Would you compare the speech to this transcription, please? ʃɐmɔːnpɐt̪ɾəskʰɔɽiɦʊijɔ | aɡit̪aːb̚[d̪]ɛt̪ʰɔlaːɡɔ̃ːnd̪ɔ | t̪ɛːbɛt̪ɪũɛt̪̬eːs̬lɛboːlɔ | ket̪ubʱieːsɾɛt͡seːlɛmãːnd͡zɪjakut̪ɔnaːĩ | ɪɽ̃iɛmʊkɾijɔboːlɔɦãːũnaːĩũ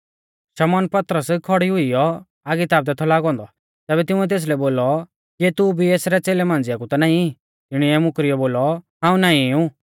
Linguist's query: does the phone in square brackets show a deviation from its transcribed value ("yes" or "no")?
no